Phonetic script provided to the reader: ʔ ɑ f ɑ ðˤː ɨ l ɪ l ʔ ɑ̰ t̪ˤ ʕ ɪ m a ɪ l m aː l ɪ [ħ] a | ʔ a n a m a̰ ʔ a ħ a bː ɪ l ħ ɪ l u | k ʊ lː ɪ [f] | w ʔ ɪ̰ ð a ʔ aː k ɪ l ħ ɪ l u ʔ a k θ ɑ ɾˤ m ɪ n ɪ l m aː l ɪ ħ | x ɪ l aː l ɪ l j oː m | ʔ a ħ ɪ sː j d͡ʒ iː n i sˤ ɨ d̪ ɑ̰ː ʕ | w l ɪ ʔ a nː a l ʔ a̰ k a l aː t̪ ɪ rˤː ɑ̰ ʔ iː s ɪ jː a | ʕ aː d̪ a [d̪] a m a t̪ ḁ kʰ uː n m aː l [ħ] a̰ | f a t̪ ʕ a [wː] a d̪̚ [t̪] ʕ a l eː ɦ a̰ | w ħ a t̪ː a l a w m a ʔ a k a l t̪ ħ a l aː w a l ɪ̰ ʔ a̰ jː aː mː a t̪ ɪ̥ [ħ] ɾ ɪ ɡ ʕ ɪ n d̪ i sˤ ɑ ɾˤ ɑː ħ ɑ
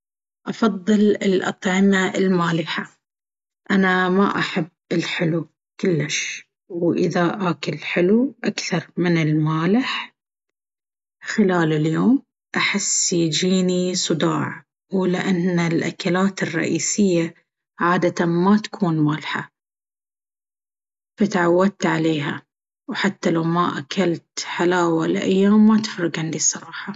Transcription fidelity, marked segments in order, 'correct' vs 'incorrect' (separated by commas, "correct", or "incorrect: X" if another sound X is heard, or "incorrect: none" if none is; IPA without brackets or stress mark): correct, incorrect: ʃ, incorrect: t̪, correct, correct, correct, incorrect: f